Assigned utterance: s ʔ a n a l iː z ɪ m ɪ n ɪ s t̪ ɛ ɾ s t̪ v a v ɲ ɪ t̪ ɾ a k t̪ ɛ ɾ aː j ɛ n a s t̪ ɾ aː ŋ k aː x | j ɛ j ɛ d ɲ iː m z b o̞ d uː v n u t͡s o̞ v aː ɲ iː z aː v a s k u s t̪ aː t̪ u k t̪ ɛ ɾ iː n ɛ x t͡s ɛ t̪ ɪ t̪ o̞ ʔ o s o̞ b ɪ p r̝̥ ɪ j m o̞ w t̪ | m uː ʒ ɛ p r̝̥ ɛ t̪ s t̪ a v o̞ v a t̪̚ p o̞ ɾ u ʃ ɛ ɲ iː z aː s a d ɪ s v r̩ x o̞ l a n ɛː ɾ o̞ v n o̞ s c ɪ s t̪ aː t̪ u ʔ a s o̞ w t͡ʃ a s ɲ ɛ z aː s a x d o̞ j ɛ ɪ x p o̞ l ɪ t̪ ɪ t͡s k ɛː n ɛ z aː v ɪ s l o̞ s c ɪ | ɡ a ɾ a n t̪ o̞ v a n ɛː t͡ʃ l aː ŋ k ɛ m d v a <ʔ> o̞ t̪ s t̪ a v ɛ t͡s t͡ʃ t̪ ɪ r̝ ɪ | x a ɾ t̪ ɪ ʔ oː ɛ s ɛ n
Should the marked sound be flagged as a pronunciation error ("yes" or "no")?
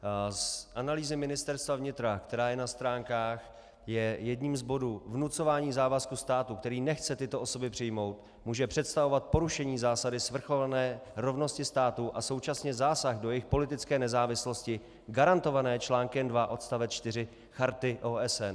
no